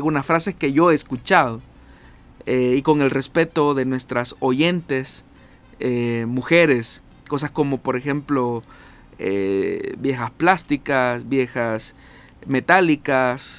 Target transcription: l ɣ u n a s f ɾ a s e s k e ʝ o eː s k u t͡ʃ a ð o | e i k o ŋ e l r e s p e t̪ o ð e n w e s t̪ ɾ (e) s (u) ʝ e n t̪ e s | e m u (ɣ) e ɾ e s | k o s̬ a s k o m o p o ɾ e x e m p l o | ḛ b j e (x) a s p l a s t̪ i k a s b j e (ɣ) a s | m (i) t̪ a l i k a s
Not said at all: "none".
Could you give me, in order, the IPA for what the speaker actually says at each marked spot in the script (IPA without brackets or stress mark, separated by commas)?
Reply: a, o, x, x, x, e